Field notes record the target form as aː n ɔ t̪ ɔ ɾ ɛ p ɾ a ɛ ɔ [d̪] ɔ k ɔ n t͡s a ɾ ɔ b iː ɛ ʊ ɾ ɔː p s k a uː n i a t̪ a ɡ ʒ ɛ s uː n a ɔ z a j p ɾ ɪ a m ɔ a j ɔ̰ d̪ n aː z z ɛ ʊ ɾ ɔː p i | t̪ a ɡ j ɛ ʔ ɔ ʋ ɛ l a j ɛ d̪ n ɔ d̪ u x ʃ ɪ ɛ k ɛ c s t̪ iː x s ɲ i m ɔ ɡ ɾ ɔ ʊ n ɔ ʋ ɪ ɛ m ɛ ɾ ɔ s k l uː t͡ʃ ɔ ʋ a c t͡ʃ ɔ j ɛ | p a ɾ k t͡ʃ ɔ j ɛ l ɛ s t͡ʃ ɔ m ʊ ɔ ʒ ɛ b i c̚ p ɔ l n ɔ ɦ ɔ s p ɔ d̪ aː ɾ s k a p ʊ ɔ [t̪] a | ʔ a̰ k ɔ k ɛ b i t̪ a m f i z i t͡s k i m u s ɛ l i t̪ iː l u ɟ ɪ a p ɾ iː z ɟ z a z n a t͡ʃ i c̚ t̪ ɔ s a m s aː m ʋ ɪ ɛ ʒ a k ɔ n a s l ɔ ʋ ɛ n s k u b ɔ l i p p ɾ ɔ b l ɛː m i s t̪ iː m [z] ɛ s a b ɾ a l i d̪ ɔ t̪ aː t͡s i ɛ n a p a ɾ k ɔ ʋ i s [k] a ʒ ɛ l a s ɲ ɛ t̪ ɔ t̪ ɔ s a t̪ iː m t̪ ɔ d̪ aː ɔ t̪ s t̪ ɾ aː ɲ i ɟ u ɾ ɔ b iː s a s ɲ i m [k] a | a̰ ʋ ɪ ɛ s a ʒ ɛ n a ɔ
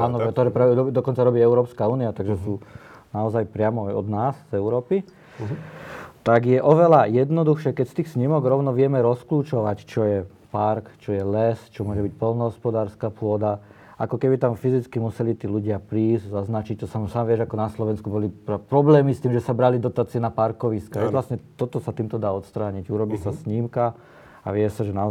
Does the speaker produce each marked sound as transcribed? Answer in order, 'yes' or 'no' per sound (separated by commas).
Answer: yes, no, no, yes, yes